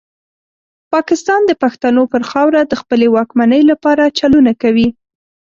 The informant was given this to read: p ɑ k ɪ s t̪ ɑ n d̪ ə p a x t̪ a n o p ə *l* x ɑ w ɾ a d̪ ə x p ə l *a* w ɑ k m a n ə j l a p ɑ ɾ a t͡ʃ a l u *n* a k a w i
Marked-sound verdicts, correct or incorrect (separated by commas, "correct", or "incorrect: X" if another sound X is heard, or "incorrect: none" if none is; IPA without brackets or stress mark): incorrect: ɾ, incorrect: e, correct